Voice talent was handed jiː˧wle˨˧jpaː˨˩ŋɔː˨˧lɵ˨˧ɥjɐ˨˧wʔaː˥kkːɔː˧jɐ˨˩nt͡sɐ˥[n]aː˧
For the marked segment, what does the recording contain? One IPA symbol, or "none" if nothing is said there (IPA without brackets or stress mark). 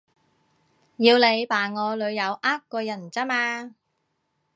m